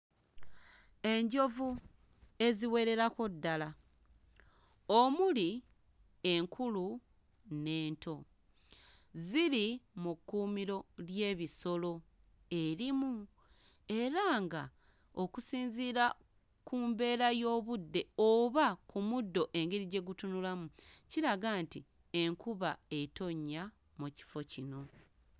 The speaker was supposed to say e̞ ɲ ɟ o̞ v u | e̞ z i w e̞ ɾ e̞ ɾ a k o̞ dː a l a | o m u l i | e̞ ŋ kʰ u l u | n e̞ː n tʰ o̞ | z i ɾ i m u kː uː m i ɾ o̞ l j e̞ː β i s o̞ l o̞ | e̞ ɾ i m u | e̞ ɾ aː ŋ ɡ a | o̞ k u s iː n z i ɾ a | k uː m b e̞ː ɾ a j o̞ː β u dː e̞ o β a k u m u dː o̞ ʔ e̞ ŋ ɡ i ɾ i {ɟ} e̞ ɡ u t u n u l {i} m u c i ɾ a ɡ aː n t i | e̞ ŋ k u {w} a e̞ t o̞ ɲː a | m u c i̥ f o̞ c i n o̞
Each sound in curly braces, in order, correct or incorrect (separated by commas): correct, incorrect, incorrect